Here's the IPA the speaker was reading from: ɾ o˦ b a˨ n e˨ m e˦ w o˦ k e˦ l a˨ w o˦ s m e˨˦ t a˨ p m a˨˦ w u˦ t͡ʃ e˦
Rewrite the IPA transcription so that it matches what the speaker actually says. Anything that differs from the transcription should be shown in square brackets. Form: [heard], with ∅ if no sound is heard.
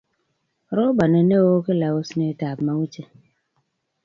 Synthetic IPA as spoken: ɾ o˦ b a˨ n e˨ [n] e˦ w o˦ k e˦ l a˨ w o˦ s [n] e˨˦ t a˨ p m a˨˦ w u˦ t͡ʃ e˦